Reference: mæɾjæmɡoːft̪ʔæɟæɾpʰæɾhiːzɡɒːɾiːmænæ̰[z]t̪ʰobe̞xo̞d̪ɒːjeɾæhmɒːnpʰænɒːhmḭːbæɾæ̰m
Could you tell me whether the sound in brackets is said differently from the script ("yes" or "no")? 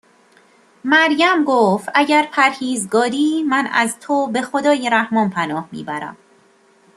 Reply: no